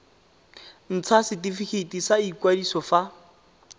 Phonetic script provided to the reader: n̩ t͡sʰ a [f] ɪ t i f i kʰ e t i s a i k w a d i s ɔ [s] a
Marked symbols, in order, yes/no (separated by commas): no, no